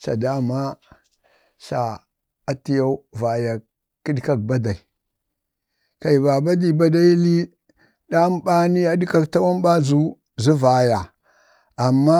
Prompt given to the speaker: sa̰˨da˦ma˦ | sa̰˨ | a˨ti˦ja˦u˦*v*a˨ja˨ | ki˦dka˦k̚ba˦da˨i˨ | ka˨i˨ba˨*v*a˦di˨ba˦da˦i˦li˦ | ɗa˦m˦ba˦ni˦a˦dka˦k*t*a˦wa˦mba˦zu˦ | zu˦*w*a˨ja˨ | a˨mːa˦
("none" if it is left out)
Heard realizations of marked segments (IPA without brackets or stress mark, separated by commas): v, b, t, v